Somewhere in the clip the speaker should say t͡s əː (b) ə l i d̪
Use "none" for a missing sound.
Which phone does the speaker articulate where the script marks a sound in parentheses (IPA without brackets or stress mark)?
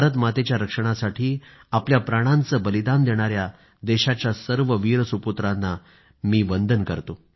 b